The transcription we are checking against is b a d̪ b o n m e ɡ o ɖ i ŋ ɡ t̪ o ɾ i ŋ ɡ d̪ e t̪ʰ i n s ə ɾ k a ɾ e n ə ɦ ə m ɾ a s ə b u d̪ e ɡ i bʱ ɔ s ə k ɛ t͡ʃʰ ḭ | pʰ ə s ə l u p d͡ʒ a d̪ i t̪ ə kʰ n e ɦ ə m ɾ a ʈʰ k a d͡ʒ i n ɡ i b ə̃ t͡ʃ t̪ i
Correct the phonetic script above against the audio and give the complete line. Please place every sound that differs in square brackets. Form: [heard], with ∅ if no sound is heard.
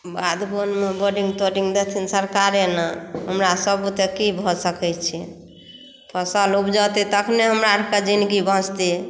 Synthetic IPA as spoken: b a d̪ b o n m e [b] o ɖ i ŋ ɡ t̪ o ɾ i ŋ ɡ d̪ e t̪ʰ i n s ə ɾ k a ɾ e n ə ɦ ə m ɾ a s ə b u [t̪] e [k] i bʱ ɔ s ə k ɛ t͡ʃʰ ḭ | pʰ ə s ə l u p d͡ʒ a [t̪] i t̪ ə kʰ n e ɦ ə m ɾ a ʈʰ k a d͡ʒ i n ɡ i b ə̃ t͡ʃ t̪ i